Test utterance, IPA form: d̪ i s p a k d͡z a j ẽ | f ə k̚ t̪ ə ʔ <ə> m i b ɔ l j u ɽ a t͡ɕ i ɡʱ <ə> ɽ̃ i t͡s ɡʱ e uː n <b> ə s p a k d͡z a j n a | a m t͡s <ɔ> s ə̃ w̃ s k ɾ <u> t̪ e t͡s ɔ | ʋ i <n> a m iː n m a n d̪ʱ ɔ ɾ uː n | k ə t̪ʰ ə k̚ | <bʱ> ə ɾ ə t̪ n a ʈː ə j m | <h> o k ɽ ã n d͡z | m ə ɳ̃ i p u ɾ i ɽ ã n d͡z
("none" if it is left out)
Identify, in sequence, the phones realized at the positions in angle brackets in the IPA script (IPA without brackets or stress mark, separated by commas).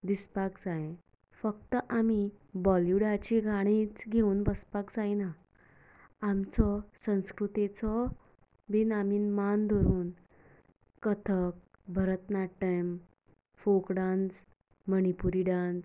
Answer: a, a, b, ɔ, u, n, bʱ, f